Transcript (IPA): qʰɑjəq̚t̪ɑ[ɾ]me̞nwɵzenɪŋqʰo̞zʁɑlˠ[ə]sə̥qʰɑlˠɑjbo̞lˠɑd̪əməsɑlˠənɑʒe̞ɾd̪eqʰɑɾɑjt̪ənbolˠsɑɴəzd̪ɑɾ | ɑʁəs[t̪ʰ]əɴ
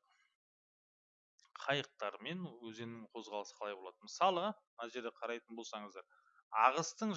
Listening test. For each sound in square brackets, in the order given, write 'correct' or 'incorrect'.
correct, correct, incorrect: t̪

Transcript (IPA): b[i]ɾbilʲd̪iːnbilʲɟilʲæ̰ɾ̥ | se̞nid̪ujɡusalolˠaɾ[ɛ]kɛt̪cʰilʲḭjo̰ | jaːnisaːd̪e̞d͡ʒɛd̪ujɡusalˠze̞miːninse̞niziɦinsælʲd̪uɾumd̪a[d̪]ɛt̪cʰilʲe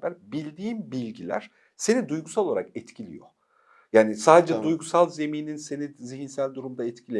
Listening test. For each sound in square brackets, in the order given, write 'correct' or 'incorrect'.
incorrect: æ, incorrect: a, incorrect: none

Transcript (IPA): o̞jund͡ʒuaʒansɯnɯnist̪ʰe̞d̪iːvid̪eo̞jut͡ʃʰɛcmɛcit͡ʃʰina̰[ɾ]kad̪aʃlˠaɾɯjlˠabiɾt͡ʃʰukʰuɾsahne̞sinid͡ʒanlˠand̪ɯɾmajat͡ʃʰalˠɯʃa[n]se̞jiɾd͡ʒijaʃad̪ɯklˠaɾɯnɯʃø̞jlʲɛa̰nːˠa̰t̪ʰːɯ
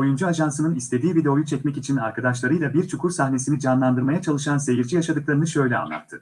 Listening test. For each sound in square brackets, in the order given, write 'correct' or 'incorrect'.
correct, correct

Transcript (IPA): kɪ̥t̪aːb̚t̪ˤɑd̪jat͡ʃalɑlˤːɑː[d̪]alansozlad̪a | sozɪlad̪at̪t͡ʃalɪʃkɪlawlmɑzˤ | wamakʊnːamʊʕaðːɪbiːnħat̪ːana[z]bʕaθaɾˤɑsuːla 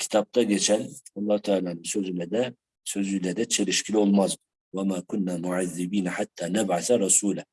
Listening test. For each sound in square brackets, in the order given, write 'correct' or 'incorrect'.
incorrect: t̪, incorrect: none

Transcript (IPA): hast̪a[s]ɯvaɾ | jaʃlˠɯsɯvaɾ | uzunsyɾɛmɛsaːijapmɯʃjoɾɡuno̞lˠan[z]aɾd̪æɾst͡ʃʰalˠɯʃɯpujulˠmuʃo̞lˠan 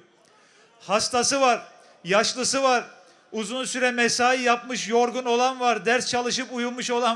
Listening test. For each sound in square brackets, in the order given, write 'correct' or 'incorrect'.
correct, incorrect: v

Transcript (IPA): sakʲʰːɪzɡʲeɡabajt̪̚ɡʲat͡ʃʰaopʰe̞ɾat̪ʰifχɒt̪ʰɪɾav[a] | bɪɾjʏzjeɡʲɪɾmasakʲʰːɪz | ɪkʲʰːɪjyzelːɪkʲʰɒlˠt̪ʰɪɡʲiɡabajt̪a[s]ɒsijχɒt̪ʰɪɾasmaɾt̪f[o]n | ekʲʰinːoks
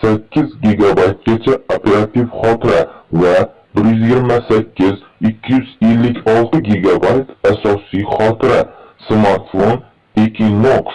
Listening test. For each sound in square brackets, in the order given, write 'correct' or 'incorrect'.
correct, correct, correct

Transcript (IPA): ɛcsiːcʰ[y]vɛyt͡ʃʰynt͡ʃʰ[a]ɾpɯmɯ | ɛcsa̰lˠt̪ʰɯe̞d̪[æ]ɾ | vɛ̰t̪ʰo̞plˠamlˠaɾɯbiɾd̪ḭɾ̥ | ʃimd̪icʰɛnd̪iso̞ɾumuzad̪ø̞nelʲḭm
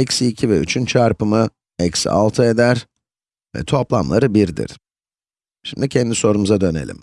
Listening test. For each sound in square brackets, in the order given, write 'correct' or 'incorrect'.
incorrect: i, correct, correct

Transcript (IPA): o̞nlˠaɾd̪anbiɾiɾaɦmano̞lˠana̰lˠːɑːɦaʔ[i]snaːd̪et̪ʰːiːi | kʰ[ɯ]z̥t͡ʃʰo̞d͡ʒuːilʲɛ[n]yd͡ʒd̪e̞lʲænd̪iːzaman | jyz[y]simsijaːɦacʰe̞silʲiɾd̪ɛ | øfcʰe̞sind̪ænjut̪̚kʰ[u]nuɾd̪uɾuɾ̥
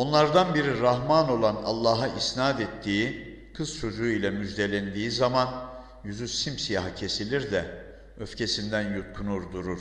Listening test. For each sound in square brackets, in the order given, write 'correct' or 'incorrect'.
correct, correct, incorrect: m, correct, correct

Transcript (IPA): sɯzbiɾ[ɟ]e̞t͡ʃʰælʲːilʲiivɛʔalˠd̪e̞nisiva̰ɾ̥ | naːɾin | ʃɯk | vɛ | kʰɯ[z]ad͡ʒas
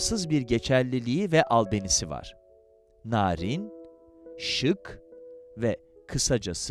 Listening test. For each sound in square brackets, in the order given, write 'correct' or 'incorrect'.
correct, incorrect: s

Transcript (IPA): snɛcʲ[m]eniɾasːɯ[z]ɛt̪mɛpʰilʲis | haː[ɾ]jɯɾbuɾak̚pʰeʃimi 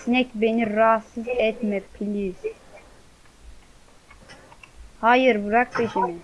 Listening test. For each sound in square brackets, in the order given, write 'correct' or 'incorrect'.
incorrect: b, correct, incorrect: none

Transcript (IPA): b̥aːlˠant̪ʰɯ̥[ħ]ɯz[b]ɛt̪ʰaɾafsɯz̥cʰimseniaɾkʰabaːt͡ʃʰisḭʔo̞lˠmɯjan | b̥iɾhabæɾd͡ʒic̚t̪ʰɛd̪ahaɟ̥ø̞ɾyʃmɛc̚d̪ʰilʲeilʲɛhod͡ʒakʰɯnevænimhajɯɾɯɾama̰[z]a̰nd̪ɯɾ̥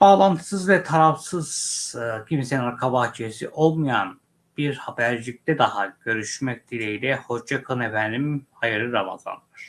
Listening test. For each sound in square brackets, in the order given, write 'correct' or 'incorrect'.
incorrect: s, incorrect: v, correct

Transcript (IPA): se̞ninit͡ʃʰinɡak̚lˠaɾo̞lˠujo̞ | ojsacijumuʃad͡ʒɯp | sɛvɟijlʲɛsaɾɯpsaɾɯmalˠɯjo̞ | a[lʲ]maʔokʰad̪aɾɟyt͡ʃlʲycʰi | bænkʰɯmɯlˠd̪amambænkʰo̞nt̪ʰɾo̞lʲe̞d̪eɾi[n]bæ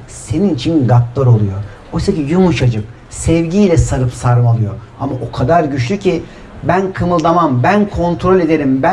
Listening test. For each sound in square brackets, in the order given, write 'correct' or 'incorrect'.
incorrect: none, incorrect: m

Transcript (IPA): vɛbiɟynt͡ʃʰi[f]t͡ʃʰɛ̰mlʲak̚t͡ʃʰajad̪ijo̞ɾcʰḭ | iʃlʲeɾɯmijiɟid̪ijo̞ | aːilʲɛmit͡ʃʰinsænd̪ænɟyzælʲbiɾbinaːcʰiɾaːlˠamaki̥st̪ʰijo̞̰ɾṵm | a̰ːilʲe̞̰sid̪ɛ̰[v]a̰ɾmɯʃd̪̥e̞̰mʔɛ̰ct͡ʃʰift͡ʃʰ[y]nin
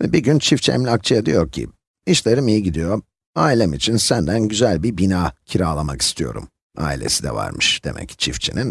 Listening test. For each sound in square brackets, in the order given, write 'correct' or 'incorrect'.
correct, correct, incorrect: i

